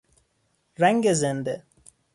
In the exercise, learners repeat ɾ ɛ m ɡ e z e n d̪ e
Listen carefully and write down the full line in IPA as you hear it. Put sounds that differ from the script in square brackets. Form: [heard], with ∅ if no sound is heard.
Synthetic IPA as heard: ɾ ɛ [ŋ] ɡ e z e n d̪ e